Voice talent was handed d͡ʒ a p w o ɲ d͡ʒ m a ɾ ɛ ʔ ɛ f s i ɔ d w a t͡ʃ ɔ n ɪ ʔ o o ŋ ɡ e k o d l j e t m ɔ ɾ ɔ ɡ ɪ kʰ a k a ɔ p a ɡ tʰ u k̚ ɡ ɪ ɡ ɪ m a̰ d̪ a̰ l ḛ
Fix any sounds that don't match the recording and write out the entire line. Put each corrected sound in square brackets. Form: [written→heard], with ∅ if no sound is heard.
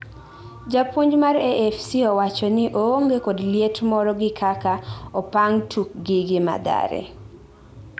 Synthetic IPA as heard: d͡ʒ a p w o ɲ d͡ʒ m a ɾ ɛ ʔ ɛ f s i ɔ [d→∅] w a t͡ʃ ɔ n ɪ ʔ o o ŋ ɡ e k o d l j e t m ɔ ɾ ɔ ɡ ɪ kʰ a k a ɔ p a [ɡ→ŋ] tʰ u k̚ ɡ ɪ ɡ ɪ m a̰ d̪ a̰ [l→ɾ] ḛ